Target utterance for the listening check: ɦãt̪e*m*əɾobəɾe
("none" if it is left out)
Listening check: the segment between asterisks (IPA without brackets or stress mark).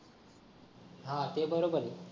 b